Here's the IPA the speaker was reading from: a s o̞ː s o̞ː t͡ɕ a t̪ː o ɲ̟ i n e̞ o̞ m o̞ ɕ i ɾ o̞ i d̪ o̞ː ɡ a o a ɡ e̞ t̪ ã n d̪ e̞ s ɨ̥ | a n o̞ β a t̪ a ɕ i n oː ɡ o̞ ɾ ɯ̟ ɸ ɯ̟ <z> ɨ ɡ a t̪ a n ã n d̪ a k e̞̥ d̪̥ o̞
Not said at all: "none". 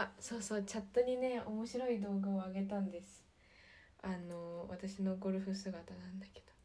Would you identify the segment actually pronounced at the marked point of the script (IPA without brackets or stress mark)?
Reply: s